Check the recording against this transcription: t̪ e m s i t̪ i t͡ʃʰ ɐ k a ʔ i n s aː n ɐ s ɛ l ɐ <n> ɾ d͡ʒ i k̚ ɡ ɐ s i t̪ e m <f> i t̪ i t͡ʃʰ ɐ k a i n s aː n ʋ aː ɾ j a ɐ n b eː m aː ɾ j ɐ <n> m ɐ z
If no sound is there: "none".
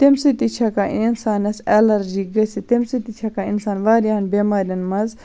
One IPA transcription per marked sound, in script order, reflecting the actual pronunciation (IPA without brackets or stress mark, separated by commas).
none, s, n